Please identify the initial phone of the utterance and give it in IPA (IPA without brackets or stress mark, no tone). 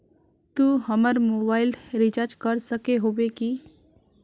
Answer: t̪